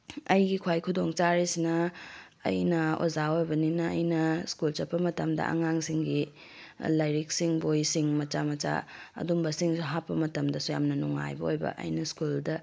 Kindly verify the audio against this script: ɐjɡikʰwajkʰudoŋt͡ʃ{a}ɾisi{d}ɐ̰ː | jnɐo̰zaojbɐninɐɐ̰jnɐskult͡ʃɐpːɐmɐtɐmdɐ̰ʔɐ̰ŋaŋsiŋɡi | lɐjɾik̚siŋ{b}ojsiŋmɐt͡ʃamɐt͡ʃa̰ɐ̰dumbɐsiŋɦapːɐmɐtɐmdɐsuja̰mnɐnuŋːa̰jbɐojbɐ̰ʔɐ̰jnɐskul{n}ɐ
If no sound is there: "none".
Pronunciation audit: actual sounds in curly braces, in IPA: a, n, b, d

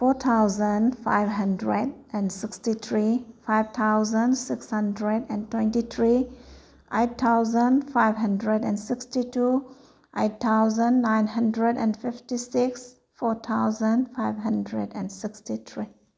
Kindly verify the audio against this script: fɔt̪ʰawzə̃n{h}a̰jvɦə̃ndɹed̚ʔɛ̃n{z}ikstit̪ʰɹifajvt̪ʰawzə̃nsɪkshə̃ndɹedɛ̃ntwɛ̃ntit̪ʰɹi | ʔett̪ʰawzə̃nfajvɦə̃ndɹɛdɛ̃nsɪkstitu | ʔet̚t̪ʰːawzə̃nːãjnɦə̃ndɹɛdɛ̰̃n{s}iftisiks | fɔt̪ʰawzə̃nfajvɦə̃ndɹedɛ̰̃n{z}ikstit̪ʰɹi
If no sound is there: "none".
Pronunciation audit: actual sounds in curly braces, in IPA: f, s, f, s

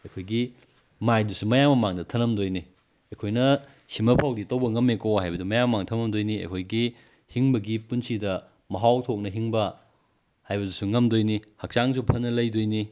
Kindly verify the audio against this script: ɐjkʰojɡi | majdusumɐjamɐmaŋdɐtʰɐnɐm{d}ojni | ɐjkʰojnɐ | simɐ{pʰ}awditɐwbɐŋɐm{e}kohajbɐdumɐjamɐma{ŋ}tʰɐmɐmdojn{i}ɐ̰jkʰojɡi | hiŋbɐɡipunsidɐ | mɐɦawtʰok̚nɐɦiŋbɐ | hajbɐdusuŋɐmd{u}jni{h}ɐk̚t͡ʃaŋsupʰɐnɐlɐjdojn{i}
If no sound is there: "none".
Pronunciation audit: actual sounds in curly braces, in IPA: d, pʰ, e, ŋ, i, o, h, i

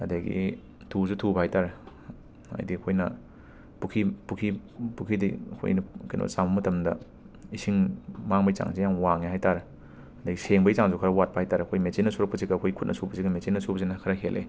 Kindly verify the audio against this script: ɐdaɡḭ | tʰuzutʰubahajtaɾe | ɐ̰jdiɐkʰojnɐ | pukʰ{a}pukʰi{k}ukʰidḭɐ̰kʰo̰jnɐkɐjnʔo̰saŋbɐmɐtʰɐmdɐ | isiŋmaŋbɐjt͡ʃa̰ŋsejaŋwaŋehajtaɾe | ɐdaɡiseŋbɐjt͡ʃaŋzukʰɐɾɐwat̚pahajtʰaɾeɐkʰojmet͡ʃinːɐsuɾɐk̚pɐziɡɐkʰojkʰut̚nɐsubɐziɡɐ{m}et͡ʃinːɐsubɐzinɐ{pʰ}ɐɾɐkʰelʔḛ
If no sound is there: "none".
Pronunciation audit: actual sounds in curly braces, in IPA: i, p, m, kʰ

